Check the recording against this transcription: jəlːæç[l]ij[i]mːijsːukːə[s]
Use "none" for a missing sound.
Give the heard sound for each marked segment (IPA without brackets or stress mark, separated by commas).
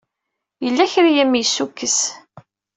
ɾ, æ, s